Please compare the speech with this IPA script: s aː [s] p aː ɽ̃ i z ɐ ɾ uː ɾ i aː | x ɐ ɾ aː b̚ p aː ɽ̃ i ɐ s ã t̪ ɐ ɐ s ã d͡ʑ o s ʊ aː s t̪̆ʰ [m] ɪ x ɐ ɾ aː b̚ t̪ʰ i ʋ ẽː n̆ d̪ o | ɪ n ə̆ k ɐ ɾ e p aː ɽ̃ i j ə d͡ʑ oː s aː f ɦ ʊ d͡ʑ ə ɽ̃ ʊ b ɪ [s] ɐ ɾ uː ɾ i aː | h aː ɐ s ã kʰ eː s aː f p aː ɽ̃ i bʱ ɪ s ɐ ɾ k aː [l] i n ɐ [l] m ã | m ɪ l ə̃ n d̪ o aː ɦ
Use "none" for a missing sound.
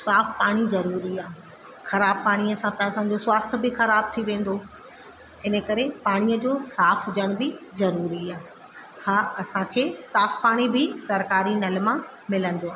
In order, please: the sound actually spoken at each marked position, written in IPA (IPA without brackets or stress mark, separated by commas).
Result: f, b, z, ɾ, l